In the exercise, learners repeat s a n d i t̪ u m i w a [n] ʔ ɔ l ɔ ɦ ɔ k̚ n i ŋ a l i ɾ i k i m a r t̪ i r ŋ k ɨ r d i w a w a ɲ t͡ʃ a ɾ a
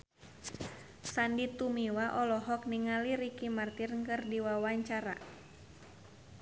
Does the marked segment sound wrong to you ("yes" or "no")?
yes